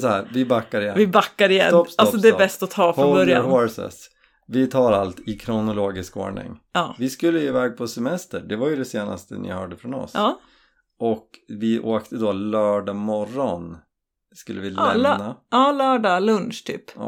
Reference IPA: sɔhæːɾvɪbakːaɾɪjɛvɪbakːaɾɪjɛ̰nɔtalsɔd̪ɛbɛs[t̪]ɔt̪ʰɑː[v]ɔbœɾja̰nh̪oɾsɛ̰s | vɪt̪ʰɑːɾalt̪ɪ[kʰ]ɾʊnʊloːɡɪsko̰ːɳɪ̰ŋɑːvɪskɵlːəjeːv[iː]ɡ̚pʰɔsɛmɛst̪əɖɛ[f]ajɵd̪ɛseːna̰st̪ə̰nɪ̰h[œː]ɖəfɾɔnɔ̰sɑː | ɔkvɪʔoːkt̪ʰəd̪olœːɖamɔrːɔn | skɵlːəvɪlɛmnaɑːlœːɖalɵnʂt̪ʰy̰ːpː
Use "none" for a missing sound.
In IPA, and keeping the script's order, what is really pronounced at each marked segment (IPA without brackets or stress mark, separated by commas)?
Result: t̪, f, kʰ, ɛː, v, œː